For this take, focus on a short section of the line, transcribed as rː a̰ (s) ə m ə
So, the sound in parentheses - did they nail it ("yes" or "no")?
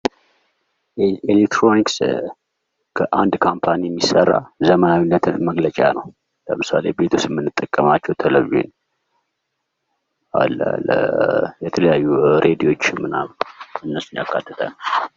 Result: no